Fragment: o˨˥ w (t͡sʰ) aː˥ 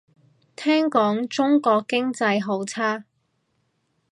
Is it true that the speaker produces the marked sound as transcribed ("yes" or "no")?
yes